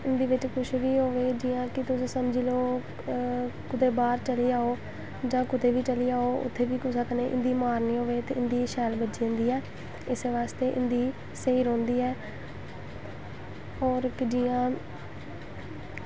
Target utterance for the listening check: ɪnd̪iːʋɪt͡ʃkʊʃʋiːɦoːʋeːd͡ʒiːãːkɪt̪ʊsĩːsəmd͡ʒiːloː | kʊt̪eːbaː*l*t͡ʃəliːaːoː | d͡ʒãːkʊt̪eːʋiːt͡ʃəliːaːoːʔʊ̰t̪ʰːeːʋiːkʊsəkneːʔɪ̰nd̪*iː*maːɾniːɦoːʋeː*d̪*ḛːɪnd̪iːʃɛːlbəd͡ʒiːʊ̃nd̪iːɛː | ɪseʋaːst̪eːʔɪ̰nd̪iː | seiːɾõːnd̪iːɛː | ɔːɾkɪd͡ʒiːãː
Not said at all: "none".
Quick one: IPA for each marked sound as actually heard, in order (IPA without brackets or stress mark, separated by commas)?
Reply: ɾ, iː, t̪